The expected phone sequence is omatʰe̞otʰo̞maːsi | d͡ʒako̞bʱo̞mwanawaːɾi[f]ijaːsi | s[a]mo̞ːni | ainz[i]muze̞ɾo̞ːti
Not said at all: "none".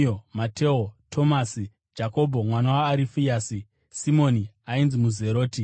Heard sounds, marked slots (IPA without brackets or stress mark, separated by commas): f, i, i